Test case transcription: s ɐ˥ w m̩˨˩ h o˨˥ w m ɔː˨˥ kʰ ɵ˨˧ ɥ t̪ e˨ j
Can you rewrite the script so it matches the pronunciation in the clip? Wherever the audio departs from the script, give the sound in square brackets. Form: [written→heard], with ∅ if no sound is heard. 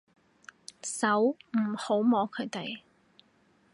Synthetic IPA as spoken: s [ɐ˥→ɐ˨˥] w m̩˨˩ h o˨˥ w m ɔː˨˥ kʰ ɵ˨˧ ɥ t̪ e˨ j